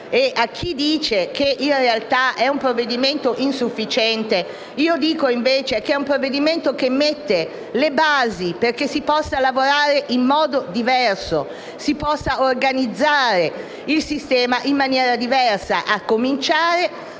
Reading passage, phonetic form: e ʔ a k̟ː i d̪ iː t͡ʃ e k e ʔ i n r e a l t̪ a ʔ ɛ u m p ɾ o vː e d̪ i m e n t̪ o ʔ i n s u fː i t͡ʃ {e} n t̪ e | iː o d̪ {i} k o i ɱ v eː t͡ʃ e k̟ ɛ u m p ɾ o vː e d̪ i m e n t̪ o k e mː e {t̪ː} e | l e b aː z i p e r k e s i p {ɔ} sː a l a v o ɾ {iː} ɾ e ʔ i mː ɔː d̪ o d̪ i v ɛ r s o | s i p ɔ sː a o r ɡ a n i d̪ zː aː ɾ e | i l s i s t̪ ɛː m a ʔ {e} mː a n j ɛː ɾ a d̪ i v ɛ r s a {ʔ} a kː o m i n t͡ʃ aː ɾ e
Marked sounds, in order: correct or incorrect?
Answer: incorrect, incorrect, correct, correct, incorrect, incorrect, correct

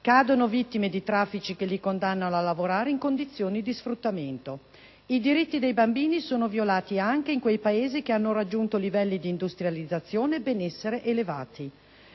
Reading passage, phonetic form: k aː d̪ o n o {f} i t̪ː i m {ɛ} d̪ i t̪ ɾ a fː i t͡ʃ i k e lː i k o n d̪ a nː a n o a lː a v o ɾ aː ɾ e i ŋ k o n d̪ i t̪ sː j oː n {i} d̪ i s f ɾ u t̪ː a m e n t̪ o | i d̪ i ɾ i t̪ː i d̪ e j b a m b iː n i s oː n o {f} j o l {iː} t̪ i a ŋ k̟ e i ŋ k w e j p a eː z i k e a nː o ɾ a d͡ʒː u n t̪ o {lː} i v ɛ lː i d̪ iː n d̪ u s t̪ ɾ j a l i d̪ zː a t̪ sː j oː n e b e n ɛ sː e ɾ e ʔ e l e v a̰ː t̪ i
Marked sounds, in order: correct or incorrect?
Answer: incorrect, incorrect, correct, incorrect, incorrect, incorrect

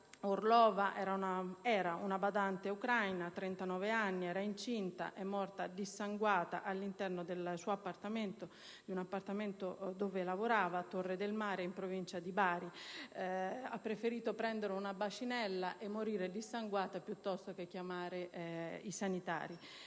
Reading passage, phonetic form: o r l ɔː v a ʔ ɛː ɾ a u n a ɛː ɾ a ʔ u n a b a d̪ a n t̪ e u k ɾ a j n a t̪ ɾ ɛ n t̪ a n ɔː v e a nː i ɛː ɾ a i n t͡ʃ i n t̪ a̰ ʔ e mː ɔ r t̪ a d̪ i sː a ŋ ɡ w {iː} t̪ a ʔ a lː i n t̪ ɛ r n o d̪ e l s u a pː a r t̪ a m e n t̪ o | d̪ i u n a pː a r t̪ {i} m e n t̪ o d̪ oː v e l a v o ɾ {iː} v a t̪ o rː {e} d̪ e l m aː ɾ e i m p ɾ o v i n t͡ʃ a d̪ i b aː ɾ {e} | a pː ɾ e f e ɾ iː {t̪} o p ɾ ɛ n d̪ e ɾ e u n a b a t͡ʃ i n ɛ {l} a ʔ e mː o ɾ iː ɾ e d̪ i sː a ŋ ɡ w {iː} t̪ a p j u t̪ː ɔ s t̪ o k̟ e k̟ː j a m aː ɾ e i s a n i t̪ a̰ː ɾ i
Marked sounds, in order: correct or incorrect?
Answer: incorrect, incorrect, incorrect, correct, incorrect, correct, incorrect, incorrect

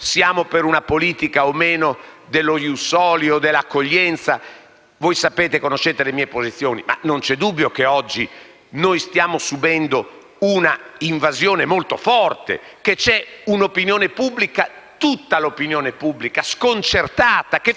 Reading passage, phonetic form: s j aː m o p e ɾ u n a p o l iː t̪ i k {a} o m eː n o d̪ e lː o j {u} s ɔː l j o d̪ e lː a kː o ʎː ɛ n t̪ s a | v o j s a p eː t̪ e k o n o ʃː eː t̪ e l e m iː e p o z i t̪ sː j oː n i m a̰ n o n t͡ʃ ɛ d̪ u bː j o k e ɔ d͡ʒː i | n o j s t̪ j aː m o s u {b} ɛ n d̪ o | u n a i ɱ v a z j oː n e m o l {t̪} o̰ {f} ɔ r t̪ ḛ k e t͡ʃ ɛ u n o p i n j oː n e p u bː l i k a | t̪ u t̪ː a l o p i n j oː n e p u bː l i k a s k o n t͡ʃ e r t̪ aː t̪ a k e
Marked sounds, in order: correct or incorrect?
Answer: correct, correct, correct, correct, correct

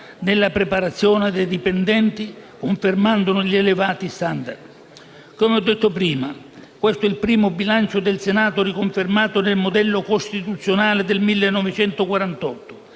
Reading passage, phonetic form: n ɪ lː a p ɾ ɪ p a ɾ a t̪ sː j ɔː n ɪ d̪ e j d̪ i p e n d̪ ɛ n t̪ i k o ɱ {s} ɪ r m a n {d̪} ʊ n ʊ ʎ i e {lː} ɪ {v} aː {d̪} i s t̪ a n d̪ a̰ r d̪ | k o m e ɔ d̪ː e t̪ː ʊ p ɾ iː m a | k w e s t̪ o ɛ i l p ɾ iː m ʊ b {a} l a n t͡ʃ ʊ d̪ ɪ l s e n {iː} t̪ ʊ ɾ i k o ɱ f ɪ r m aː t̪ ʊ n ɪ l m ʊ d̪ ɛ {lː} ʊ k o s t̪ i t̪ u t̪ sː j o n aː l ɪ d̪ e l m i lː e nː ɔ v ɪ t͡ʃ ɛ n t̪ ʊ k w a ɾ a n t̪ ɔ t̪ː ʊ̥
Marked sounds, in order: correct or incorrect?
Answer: incorrect, correct, incorrect, correct, incorrect, incorrect, incorrect, correct

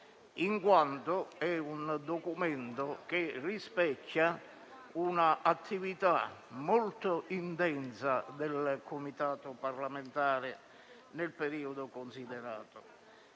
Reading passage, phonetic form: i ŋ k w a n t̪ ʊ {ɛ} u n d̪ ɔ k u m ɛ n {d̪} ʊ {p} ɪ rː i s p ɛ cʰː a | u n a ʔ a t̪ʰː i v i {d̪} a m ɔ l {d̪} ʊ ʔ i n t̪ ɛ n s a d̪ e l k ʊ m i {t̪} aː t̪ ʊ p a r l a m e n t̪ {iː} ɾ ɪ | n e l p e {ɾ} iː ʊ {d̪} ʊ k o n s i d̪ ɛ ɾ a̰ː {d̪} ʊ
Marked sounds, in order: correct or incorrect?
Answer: correct, incorrect, incorrect, incorrect, incorrect, correct, incorrect, correct, correct, incorrect

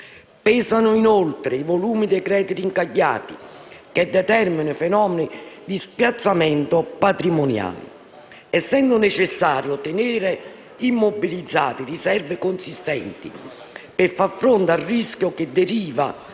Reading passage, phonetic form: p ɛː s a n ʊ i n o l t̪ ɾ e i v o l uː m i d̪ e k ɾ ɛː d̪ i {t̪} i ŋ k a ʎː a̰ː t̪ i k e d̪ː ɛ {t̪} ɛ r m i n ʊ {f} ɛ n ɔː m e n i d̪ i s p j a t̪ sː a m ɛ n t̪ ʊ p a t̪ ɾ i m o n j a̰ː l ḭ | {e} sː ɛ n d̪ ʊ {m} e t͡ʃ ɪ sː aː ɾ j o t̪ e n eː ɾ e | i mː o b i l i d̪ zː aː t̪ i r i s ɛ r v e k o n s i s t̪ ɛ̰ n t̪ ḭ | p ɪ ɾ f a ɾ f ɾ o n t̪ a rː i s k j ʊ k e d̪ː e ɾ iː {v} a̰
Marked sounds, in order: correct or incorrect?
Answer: correct, correct, correct, incorrect, incorrect, correct

